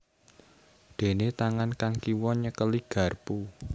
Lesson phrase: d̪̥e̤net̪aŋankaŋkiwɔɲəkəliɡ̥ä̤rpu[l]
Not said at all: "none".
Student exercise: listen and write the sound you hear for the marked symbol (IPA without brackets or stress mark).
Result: none